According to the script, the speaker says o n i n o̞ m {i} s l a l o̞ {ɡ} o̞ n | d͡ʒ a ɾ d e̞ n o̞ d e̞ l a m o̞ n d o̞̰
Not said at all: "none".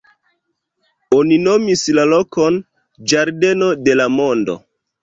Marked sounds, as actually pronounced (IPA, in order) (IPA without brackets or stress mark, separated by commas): i, k